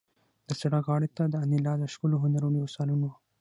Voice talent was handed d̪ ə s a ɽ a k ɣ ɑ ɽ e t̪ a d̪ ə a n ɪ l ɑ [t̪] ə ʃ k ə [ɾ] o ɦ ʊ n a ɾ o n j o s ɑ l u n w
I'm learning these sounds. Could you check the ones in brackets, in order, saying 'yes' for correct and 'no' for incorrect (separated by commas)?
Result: no, no